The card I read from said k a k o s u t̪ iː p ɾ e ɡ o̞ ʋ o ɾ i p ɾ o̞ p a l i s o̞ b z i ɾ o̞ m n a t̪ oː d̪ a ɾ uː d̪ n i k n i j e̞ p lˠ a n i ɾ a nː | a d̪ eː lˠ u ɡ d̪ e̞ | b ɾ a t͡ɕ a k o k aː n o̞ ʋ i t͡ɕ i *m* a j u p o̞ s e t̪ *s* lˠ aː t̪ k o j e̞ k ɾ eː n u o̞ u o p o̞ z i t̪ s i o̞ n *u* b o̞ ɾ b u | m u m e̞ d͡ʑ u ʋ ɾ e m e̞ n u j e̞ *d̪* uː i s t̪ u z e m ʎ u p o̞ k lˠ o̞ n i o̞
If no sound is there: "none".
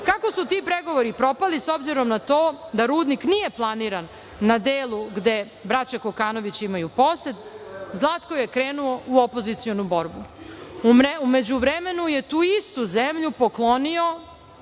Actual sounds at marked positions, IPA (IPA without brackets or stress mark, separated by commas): m, z, u, t̪